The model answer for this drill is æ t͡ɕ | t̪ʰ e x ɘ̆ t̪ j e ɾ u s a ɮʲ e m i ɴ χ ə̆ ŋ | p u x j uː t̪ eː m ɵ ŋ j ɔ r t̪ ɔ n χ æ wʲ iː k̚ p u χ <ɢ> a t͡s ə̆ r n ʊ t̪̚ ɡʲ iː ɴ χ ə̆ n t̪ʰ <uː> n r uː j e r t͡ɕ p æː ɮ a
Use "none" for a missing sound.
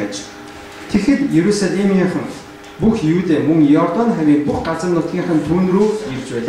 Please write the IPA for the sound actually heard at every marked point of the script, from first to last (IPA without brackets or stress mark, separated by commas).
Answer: ɢ, uː